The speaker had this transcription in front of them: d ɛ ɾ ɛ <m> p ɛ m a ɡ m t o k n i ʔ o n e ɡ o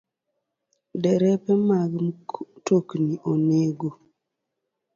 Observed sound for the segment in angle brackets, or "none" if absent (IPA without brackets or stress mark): none